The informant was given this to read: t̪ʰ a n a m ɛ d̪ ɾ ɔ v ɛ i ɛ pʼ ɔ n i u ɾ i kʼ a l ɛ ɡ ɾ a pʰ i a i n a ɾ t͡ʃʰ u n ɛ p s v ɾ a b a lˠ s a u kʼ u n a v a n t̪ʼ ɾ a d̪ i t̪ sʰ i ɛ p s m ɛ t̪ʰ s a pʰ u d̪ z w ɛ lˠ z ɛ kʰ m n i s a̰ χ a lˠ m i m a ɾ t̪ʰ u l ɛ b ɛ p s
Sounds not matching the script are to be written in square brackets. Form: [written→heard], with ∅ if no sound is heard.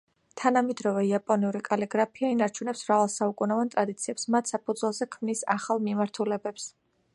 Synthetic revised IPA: t̪ʰ a n a m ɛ d̪ ɾ ɔ v ɛ i [ɛ→a] pʼ ɔ n i u ɾ i kʼ a l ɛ ɡ ɾ a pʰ i a i n a ɾ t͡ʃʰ u n ɛ p s v ɾ a [b→v] a lˠ s a u kʼ u n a v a n t̪ʼ ɾ a d̪ i t̪ sʰ i ɛ p s m [ɛ→a] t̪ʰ s a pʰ u d̪ z w ɛ lˠ z ɛ kʰ m n i s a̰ χ a lˠ m i m a ɾ t̪ʰ u l ɛ b ɛ p s

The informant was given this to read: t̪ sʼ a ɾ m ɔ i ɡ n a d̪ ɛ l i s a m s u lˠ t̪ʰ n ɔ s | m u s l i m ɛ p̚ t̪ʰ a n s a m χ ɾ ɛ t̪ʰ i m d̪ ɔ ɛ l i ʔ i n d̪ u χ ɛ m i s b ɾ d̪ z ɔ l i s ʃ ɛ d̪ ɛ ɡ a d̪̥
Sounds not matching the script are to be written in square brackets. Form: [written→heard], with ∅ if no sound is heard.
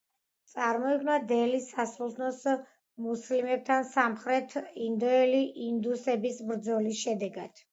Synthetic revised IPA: t̪ sʼ a ɾ m ɔ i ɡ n a d̪ ɛ l i s a [m→∅] s u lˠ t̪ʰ n ɔ s | m u s l i m ɛ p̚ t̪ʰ a n s a m χ ɾ ɛ t̪ʰ i [m→n] d̪ ɔ ɛ l i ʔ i n d̪ u [χ→s] ɛ [m→b] i s b ɾ d̪ z ɔ l i s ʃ ɛ d̪ ɛ ɡ a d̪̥

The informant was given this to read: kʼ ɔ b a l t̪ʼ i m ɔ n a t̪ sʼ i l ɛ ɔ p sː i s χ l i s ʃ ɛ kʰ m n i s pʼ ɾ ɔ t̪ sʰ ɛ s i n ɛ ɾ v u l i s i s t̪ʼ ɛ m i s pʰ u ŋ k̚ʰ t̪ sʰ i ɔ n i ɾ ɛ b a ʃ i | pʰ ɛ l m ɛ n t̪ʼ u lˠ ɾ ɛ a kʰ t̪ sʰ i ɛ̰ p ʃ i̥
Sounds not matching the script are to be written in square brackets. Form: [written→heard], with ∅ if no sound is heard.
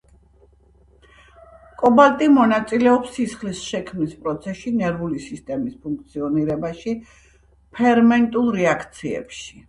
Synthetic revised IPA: kʼ ɔ b a l t̪ʼ i m ɔ n a t̪ sʼ i l ɛ ɔ p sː i s χ l i s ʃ ɛ kʰ m n i s pʼ ɾ ɔ t̪ sʰ ɛ [s→ʃ] i n ɛ ɾ v u l i s i s t̪ʼ ɛ m i s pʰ u ŋ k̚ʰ t̪ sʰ i ɔ n i ɾ ɛ b a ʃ i | pʰ ɛ [l→ɾ] m ɛ n t̪ʼ u lˠ ɾ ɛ a kʰ t̪ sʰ i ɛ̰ p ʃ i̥

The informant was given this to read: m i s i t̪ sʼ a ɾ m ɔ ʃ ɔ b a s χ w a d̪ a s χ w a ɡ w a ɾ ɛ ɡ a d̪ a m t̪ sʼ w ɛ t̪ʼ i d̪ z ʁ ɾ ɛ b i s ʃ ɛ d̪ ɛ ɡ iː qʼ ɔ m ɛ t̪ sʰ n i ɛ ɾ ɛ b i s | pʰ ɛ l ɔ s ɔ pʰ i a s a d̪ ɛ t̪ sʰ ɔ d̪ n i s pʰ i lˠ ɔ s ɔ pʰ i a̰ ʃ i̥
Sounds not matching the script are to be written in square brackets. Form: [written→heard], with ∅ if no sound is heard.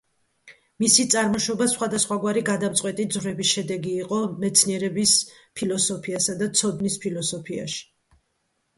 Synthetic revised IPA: m i s i t̪ sʼ a ɾ m ɔ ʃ ɔ b a s χ w a d̪ a s χ w a ɡ w a ɾ [ɛ→i] ɡ a d̪ a m t̪ sʼ w ɛ t̪ʼ i d̪ z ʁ ɾ ɛ b i s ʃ ɛ d̪ ɛ ɡ iː qʼ ɔ m ɛ t̪ sʰ n i ɛ ɾ ɛ b i s | pʰ [ɛ→i] l ɔ s ɔ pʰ i a s a d̪ [ɛ→a] t̪ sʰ ɔ d̪ n i s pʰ i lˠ ɔ s ɔ pʰ i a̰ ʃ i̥

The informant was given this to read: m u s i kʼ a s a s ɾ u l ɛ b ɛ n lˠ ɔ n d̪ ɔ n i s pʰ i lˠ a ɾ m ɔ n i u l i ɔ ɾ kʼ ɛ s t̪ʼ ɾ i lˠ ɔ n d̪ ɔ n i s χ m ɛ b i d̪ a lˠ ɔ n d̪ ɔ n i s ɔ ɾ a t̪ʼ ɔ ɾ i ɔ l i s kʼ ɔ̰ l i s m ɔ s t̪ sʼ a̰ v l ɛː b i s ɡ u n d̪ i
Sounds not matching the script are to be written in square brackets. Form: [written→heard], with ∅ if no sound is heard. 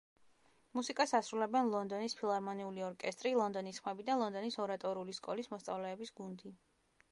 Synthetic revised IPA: m u s i kʼ a s a s ɾ u l ɛ b ɛ n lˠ ɔ n d̪ ɔ n i s pʰ i lˠ a ɾ m ɔ n i u l i ɔ ɾ kʼ ɛ s t̪ʼ ɾ i lˠ ɔ n d̪ ɔ n i s χ m ɛ b i d̪ a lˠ ɔ n d̪ ɔ n i s ɔ ɾ a t̪ʼ ɔ ɾ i [ɔ→u] l i s kʼ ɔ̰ l i s m ɔ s t̪ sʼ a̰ v l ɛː b i s ɡ u n d̪ i

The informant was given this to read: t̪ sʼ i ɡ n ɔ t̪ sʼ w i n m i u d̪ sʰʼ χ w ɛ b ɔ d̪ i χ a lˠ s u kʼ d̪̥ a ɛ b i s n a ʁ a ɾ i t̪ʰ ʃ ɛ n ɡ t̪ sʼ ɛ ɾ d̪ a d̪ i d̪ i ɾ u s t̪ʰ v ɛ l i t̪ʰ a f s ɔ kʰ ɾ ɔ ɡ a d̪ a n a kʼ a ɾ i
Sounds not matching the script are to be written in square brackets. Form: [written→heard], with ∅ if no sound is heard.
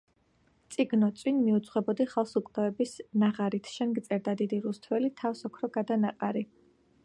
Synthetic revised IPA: t̪ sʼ i ɡ n ɔ t̪ sʼ w i n m i u [d̪→t̪] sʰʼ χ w ɛ b ɔ d̪ i χ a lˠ s u kʼ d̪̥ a ɛ b i s n a ʁ a ɾ i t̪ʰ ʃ ɛ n ɡ t̪ sʼ ɛ ɾ d̪ a d̪ i d̪ i ɾ u s t̪ʰ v ɛ l i t̪ʰ a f s ɔ kʰ ɾ ɔ ɡ a d̪ a n a [kʼ→qʼ] a ɾ i

